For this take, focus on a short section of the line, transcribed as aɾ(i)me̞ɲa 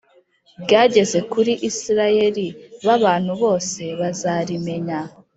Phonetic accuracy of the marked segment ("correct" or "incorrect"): correct